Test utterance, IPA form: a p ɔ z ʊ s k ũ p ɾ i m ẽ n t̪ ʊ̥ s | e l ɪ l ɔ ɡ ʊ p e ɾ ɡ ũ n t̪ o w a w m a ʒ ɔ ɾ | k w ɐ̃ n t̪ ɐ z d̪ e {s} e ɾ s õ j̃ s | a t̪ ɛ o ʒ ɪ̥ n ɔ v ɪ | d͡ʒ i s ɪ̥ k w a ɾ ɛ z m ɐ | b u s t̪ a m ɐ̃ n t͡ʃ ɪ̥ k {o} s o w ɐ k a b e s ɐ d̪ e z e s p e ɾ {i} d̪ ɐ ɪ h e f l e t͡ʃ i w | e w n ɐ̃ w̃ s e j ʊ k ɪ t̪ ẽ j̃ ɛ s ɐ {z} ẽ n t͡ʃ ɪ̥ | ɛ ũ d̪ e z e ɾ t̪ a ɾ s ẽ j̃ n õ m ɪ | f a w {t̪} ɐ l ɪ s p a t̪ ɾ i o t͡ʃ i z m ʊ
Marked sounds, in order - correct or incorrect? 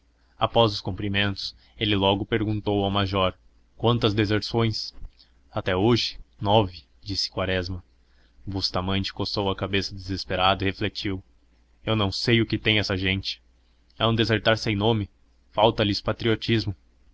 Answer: incorrect: z, correct, incorrect: a, incorrect: ʒ, correct

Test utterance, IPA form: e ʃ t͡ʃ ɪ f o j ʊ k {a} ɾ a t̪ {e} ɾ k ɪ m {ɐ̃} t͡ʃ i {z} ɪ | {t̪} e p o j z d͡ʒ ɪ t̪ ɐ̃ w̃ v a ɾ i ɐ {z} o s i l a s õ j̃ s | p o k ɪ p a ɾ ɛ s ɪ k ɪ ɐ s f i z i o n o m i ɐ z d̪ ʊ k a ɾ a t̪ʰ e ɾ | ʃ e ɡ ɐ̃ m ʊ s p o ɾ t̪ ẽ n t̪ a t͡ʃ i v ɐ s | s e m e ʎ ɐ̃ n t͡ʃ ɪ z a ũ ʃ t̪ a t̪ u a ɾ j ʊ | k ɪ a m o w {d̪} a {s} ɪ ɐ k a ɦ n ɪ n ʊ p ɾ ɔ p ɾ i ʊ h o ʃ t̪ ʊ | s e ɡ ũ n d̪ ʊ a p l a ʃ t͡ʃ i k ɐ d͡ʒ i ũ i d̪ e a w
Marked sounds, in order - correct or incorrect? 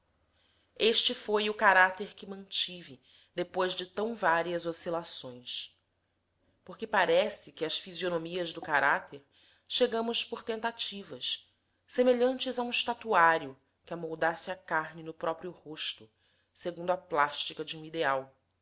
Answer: correct, correct, correct, incorrect: v, incorrect: d̪, correct, correct, correct

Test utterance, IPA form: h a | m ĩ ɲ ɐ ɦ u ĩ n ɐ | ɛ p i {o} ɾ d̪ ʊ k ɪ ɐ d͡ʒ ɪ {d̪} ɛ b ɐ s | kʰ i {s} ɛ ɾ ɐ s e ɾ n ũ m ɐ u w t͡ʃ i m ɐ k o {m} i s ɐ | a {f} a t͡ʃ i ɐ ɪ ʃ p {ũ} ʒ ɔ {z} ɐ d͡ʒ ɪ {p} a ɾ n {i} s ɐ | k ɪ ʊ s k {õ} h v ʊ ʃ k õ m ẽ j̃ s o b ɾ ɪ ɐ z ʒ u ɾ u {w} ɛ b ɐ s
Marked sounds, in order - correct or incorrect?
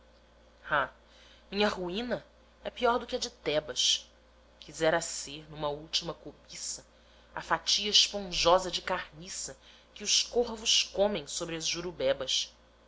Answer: incorrect: ɔ, incorrect: t̪, incorrect: z, incorrect: b, correct, incorrect: õ, correct, incorrect: k, correct, incorrect: o, incorrect: b

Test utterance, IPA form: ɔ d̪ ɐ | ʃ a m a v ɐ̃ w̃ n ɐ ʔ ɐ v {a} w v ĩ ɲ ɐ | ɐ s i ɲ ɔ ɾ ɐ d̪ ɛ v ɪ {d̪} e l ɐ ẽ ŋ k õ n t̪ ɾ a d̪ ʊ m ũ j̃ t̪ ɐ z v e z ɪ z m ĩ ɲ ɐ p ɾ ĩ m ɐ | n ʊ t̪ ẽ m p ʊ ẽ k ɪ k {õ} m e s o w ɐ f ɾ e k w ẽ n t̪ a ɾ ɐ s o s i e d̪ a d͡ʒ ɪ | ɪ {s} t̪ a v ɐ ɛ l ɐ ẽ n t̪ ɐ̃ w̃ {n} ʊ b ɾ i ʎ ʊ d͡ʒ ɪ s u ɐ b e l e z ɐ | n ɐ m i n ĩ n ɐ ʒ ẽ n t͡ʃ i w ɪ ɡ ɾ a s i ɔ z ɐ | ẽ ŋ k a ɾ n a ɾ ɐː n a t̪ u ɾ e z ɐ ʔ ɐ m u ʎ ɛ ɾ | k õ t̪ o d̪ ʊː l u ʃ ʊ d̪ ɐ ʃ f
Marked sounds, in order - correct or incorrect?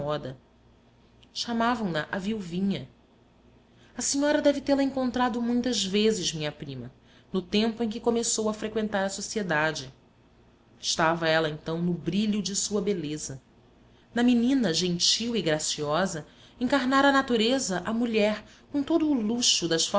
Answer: incorrect: i, incorrect: t̪, incorrect: o, incorrect: ʃ, correct

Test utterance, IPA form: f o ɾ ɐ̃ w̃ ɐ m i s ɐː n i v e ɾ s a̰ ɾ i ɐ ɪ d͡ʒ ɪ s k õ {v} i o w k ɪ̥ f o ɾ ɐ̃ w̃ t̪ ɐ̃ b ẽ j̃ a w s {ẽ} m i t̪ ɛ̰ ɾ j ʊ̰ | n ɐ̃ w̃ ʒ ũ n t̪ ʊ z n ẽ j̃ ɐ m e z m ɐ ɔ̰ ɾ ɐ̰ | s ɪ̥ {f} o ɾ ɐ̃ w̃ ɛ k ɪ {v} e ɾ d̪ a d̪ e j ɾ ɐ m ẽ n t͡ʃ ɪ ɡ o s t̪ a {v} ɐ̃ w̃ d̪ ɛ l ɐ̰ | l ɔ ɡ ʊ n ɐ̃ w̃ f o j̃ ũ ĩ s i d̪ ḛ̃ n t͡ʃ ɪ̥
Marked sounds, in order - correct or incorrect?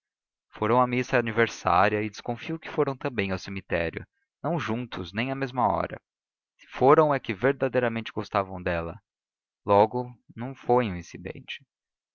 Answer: incorrect: f, incorrect: e, correct, correct, correct

